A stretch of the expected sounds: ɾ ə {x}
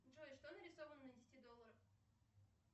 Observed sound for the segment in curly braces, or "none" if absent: f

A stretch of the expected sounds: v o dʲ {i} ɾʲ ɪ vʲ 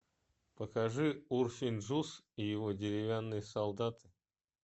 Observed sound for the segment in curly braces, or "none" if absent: ɪ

